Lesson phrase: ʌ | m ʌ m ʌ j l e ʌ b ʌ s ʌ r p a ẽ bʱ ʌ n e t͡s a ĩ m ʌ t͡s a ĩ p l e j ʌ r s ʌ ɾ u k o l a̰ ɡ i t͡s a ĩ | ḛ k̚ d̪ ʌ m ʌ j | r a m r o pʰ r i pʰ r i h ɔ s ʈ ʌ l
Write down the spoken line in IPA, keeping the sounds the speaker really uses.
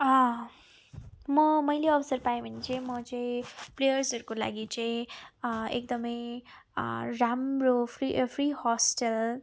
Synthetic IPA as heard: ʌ | m ʌ m ʌ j l e ʌ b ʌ s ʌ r p a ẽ bʱ ʌ n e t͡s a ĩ m ʌ t͡s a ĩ p l e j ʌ r s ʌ ɾ u k o l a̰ ɡ i t͡s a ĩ | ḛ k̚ d̪ ʌ m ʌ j | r a m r o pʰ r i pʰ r i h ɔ s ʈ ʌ l

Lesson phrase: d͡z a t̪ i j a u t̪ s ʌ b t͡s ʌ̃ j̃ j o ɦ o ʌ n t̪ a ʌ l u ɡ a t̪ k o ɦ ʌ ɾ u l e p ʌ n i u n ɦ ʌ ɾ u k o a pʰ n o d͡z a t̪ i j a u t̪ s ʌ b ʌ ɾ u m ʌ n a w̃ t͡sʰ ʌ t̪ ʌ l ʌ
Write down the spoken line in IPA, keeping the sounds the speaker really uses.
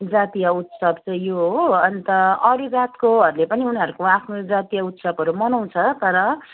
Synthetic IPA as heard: d͡z a t̪ i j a u t̪ s ʌ b t͡s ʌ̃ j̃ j o ɦ o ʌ n t̪ ʌ ʌ ɾ u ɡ a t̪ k o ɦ ʌ ɾ u l e p ʌ n i u n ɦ ʌ ɾ u k o a pʰ n o d͡z a t̪ i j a u t̪ s ʌ b ʌ ɾ u m ʌ n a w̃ t͡sʰ ʌ t̪ ʌ ɾ ʌ

